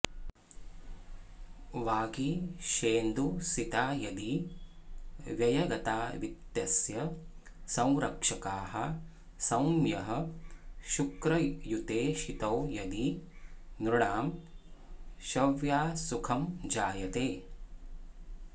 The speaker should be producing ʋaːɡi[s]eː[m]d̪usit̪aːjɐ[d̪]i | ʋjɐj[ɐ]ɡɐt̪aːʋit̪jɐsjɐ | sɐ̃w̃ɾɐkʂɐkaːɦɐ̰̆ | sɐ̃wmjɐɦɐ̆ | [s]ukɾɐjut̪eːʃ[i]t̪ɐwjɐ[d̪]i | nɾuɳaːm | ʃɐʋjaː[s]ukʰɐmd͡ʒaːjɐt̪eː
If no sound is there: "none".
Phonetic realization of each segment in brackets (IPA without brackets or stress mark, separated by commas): ʃ, n, d̪, ɐ, ʃ, i, d̪, s